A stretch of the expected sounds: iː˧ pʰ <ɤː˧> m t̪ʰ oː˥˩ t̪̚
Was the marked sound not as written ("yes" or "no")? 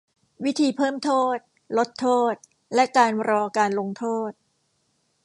yes